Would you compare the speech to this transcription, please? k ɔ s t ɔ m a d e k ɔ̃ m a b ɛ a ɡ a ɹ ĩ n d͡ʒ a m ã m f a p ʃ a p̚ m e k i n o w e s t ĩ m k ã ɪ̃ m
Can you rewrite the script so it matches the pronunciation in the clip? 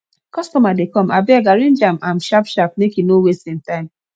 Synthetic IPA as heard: k ɔ s t ɔ m a d e k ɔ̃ m a b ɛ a ɡ a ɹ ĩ n d͡ʒ a m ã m ʃ a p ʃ a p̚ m e k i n o w e s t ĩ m t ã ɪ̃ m